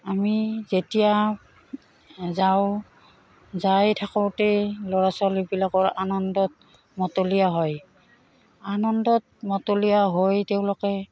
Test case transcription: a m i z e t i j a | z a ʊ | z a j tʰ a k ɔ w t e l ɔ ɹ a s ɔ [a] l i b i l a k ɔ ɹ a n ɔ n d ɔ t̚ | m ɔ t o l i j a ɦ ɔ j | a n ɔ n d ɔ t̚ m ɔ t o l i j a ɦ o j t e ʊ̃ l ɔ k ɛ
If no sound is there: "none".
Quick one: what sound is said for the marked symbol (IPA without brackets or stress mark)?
a